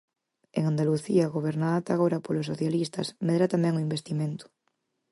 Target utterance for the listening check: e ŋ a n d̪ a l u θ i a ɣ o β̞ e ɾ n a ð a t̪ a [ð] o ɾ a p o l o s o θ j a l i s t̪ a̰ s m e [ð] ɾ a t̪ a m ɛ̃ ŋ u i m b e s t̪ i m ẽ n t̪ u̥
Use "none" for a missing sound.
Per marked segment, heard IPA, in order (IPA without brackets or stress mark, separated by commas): ɣ, ð